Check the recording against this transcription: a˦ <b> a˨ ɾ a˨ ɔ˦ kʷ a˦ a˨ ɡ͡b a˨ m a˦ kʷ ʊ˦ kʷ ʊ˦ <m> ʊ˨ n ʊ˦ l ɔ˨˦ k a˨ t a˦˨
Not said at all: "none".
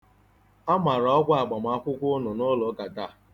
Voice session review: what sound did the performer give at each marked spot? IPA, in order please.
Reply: m, n

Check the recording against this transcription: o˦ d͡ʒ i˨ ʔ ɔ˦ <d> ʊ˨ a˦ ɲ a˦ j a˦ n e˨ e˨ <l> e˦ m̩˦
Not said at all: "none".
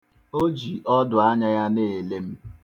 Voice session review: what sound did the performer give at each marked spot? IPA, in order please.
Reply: d, l

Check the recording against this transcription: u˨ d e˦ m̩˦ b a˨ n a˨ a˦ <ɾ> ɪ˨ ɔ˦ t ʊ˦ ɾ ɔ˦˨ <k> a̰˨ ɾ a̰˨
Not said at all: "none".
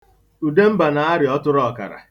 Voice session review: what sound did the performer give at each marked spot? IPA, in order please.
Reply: ɾ, k

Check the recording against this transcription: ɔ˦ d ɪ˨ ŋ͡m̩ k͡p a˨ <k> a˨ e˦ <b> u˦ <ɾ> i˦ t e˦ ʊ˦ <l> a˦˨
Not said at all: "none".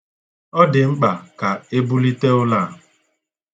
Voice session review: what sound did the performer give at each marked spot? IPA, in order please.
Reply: k, b, l, l

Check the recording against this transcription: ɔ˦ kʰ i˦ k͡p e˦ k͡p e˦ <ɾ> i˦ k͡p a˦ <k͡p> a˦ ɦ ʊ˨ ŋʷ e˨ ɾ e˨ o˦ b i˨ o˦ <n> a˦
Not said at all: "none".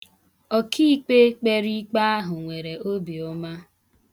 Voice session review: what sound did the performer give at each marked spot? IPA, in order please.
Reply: ɾ, none, m

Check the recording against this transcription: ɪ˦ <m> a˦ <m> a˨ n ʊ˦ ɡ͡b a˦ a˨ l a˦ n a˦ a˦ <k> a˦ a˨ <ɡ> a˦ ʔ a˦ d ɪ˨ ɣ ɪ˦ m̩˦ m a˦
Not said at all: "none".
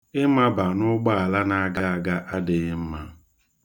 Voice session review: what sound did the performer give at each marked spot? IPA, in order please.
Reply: m, b, ɡ, ɡ

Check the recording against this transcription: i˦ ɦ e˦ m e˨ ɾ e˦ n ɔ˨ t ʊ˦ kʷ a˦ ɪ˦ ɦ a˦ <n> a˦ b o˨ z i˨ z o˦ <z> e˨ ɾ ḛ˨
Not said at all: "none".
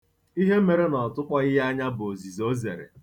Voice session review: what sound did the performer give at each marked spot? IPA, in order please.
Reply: ɲ, z

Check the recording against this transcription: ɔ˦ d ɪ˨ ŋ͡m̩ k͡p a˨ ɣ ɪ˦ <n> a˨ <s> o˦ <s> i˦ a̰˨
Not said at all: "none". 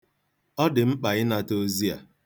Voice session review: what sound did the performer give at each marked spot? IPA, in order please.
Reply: n, t, z

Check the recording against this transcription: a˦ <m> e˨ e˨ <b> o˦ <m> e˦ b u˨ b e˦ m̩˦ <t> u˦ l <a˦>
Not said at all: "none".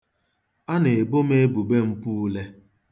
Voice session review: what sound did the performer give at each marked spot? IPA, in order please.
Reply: n, b, m, p, e˦

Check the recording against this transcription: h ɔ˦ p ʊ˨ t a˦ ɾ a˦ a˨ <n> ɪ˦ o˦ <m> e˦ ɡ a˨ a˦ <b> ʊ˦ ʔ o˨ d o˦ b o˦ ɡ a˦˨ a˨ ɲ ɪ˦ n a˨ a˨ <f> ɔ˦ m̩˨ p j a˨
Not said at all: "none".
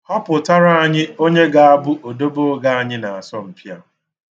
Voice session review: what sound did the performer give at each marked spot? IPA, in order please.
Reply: ɲ, ɲ, b, s

